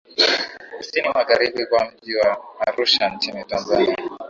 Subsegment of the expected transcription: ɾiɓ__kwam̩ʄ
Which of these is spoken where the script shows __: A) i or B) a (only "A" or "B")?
A